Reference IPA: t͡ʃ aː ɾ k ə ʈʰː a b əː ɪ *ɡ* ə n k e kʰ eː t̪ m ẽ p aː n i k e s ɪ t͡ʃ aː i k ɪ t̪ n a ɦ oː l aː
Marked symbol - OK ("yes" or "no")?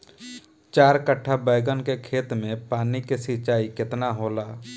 yes